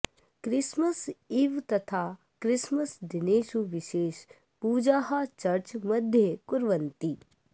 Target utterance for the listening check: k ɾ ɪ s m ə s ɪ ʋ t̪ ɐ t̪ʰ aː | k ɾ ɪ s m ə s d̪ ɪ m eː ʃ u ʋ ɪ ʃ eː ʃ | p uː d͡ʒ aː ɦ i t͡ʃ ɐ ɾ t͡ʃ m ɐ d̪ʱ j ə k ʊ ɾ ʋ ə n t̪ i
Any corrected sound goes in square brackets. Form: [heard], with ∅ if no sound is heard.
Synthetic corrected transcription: k ɾ ɪ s m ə s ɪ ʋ t̪ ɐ t̪ʰ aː | k ɾ ɪ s m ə s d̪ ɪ [n] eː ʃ u ʋ ɪ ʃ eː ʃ | p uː d͡ʒ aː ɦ [a] t͡ʃ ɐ ɾ t͡ʃ m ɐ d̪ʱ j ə k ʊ ɾ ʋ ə n t̪ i